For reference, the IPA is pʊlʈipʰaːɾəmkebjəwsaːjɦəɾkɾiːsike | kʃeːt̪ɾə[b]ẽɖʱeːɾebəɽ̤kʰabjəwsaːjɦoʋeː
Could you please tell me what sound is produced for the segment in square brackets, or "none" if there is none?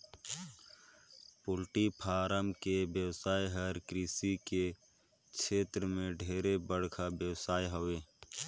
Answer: m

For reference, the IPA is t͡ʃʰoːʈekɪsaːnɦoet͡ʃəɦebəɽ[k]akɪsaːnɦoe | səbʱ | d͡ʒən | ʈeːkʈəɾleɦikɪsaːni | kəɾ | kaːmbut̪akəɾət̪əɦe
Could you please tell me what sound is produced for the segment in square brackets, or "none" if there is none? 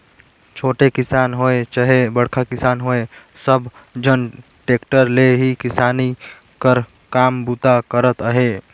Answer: kʰ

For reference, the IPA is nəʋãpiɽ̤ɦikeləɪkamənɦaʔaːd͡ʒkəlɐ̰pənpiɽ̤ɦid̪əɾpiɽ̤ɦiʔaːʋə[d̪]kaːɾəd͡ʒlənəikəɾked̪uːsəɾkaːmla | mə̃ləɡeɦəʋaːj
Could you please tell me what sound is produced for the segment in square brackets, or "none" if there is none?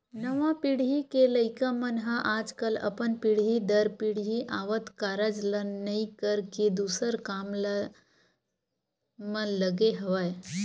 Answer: t̪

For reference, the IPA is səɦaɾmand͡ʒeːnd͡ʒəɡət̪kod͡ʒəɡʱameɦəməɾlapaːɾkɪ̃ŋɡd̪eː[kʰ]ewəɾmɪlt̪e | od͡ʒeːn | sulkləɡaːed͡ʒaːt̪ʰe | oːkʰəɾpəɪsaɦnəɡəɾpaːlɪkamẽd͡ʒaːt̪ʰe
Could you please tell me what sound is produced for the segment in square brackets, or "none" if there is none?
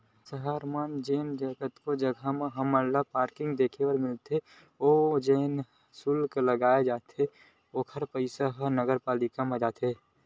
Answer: kʰ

